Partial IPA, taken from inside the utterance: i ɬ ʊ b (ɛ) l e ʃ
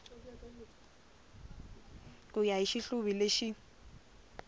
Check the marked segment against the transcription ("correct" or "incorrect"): incorrect